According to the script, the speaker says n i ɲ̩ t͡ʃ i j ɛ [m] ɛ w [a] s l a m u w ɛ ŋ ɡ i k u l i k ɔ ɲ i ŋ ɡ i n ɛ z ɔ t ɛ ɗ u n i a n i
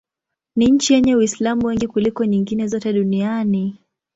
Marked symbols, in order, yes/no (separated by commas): no, no